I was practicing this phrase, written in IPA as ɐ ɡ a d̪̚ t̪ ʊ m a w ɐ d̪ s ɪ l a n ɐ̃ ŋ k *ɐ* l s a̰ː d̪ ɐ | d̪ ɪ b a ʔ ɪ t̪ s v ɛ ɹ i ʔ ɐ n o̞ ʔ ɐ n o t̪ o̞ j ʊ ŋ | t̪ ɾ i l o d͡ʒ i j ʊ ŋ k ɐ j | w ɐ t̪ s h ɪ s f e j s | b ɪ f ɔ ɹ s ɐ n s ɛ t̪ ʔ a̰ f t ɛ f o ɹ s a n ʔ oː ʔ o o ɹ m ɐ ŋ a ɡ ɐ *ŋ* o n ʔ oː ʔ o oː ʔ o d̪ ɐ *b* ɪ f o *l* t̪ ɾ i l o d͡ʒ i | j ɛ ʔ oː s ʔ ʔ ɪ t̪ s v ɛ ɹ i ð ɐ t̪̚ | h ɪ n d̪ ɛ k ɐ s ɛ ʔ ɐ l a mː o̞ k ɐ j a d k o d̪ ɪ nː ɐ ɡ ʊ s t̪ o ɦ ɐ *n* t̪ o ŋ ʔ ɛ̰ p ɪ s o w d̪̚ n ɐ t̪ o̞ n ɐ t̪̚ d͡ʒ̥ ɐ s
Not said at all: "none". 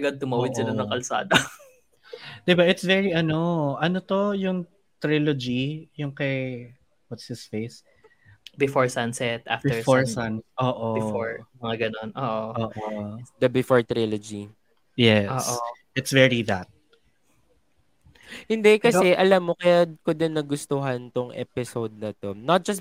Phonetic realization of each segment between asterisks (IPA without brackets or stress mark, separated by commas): ɐ, n, b, ɹ, n